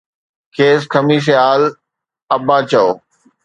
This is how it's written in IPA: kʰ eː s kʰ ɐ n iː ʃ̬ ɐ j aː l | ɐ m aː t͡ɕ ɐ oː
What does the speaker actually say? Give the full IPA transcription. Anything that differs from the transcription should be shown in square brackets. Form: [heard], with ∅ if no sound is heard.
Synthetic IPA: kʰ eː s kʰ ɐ [m] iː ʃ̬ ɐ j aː l | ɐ [b] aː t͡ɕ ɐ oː